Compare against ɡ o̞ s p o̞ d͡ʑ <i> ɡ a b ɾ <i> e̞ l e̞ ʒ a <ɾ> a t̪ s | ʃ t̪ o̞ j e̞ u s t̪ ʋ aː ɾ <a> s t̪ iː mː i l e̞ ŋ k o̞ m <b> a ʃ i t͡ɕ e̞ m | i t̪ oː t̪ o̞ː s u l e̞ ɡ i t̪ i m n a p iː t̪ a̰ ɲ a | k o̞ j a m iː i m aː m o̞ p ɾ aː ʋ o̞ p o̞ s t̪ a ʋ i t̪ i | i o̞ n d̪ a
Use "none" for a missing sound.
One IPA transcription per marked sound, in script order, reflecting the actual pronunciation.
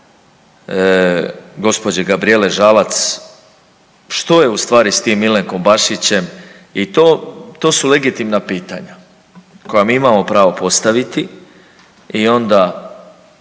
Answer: e, i, l, i, b

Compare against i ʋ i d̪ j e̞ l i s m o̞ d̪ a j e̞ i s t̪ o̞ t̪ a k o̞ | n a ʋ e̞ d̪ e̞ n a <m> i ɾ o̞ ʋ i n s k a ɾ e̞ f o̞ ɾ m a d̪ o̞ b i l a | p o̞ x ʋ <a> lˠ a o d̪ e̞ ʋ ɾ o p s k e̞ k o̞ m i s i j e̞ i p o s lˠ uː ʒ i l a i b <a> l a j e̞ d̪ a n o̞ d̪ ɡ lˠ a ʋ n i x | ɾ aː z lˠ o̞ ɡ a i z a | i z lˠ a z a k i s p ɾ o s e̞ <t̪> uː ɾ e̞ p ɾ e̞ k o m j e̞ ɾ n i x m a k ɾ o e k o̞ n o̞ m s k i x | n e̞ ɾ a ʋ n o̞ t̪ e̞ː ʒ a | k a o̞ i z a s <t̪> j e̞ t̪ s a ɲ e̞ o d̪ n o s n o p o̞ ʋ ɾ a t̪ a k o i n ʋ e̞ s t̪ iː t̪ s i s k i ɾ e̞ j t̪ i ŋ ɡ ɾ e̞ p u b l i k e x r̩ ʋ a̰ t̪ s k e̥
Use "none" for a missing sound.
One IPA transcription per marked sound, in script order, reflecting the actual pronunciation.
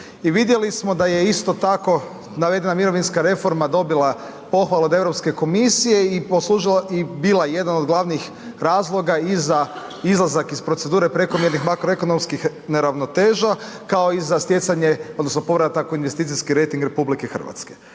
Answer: m, a, i, d̪, t̪

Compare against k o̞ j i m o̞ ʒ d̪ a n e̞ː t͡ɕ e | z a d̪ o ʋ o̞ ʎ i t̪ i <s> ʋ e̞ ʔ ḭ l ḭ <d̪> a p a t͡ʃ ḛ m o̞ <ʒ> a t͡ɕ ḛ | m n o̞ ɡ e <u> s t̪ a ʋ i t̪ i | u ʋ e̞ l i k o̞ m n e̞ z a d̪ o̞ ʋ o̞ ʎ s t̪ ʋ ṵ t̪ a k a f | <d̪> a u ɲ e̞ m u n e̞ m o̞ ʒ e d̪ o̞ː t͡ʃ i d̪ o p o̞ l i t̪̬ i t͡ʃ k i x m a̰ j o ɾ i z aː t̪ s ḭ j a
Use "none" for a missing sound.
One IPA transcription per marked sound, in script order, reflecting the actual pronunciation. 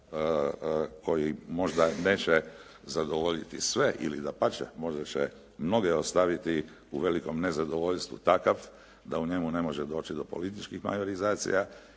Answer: s, d̪, ʒ, o, d̪

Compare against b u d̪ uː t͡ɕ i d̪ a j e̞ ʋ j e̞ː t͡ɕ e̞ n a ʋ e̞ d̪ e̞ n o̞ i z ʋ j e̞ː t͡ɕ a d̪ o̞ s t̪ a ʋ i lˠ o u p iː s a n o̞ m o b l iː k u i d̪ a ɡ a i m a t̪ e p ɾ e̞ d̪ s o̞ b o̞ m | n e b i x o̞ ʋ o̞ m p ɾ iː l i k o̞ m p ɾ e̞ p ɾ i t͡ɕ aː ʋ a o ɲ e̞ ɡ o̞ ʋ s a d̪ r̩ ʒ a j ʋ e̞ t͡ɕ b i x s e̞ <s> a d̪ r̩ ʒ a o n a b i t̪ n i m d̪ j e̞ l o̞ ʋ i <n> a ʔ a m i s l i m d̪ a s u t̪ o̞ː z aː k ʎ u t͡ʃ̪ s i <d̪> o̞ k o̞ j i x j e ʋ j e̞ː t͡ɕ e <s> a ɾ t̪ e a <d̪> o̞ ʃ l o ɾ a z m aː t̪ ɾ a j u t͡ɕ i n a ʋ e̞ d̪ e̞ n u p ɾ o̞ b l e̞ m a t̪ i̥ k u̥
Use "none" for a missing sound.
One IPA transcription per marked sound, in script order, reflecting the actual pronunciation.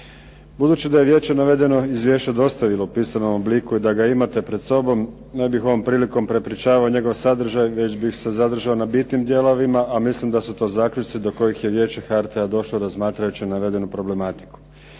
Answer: z, m, d̪, x, d̪

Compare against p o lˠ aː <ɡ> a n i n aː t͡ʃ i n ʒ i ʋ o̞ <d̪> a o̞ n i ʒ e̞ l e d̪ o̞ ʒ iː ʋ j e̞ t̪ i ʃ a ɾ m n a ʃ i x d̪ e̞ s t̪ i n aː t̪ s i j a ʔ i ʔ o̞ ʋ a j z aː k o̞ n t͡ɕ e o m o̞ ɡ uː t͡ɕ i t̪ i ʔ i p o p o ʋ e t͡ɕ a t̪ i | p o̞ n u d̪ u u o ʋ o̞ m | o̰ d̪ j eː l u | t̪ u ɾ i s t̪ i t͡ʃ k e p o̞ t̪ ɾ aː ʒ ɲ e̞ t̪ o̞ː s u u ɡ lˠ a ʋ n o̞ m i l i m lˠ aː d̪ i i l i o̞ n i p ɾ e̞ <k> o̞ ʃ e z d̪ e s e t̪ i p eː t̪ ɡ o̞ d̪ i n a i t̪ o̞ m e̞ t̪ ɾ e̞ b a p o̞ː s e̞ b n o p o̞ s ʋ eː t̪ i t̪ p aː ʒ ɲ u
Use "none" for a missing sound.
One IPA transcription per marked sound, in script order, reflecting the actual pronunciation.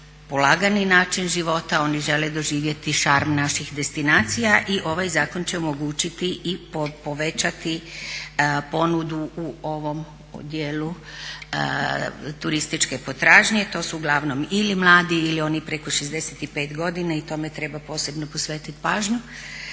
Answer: ɡ, t̪, k

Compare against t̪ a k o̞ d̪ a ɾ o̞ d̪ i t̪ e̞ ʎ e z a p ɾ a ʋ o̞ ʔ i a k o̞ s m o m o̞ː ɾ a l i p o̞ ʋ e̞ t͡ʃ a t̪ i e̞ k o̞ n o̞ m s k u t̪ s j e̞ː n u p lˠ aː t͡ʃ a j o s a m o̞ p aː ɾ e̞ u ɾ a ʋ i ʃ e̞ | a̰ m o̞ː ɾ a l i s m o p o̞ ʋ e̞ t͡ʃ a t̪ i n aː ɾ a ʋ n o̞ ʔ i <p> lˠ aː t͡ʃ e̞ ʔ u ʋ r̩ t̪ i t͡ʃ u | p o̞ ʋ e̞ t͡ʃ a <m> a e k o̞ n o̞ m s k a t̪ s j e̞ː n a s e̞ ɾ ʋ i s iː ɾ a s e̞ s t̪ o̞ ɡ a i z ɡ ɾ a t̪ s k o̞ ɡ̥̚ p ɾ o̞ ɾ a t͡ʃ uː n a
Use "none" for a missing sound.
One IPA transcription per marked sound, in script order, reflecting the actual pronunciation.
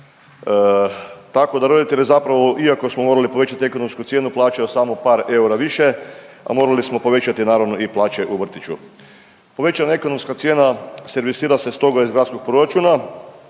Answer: p, n

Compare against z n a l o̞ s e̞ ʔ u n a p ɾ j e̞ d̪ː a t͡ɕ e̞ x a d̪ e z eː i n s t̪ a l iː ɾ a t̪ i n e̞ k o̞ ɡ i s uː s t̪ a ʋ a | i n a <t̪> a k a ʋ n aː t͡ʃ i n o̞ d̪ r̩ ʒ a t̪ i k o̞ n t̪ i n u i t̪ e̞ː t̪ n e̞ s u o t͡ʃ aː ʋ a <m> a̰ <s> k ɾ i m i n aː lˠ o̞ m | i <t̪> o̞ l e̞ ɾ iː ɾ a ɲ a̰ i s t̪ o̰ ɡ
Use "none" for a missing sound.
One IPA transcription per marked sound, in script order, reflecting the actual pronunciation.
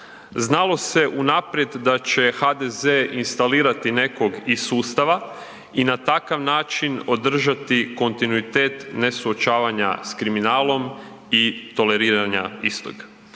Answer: t̪, ɲ, s, t̪

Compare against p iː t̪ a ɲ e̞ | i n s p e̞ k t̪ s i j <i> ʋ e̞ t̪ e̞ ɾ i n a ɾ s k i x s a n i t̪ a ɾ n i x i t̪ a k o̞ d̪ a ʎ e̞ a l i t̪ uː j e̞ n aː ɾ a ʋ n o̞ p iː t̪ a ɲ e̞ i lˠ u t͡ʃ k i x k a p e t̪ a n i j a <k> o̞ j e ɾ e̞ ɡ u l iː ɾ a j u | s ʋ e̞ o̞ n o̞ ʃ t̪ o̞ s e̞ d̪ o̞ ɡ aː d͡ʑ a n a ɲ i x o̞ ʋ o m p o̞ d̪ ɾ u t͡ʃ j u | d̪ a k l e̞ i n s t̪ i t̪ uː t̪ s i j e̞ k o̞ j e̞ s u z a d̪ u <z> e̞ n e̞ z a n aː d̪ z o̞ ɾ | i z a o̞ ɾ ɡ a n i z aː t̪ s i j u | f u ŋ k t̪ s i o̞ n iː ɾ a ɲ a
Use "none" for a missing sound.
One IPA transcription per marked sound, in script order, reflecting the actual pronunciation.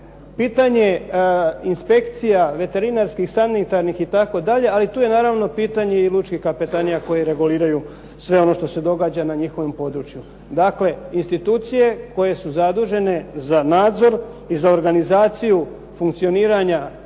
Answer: a, k, ʒ

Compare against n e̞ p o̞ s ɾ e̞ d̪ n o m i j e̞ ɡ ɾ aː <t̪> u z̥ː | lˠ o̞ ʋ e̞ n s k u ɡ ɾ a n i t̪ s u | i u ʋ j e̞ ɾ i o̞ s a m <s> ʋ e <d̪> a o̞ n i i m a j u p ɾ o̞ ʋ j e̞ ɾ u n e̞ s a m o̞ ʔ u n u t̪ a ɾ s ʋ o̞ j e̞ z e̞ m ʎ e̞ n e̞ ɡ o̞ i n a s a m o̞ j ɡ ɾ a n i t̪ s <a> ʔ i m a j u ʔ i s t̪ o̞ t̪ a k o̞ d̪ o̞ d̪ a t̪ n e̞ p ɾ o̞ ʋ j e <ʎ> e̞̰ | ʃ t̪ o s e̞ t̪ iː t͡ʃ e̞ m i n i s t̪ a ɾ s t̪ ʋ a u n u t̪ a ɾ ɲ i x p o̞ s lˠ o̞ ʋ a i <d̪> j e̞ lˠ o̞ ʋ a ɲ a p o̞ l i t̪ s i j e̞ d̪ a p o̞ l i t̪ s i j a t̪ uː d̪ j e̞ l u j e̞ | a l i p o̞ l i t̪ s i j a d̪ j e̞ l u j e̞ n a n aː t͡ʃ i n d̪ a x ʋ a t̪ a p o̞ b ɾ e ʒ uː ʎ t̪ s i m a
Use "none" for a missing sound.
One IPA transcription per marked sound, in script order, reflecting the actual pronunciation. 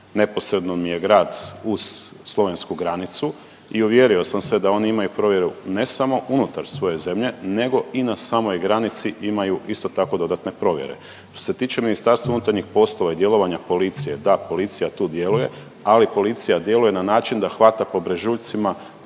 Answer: d̪, s, d̪, i, ɾ, d̪

